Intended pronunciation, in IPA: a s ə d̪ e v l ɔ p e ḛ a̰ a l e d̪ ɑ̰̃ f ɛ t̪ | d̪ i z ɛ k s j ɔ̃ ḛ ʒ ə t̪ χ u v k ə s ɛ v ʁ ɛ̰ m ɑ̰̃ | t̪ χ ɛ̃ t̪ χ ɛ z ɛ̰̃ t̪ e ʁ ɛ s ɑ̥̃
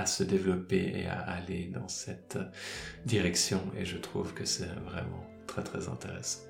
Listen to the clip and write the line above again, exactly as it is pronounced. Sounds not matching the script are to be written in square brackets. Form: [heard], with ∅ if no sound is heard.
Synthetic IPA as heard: a s ə d̪ e v l ɔ p e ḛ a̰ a l e d̪ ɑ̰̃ [s] ɛ t̪ | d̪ i [ʁ] ɛ k s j ɔ̃ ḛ ʒ ə t̪ χ u v k ə s ɛ v ʁ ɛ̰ m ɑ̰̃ | t̪ χ [ɛ] t̪ χ ɛ z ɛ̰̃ t̪ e ʁ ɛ s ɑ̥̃